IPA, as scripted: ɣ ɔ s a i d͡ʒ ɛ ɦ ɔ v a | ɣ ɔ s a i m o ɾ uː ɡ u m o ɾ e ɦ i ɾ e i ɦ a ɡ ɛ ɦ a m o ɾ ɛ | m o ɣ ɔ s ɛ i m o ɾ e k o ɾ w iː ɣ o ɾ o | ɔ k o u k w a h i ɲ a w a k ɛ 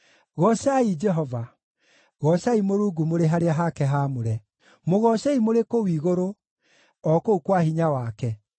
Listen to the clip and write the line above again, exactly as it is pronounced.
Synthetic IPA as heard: ɣ ɔ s a i d͡ʒ ɛ ɦ ɔ v a | ɣ ɔ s a i m o ɾ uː ɡ u m o ɾ e ɦ a ɾ e a ɦ a k ɛ ɦ a m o ɾ ɛ | m o ɣ ɔ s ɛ i m o ɾ e k o w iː ɣ o ɾ o | ɔ k o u k w a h i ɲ a w a k ɛ